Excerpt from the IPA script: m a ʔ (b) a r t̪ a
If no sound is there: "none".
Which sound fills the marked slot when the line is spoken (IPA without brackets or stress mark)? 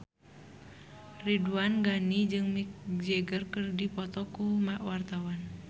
w